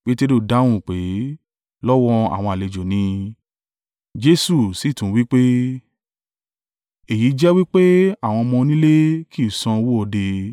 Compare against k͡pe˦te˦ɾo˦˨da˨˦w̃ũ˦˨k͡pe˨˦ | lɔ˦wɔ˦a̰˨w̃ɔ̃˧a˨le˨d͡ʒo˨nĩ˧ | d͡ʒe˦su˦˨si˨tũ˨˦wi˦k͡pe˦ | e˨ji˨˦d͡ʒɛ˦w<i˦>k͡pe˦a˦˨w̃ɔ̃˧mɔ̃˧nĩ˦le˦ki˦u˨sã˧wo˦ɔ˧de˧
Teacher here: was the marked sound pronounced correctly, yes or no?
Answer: yes